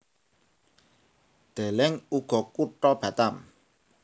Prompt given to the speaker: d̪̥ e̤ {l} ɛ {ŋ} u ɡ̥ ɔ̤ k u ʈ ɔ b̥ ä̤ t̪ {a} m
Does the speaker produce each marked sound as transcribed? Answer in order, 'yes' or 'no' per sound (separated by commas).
yes, yes, yes